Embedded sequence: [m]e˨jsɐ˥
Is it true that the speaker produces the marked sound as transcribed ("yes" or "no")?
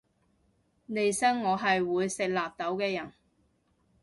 no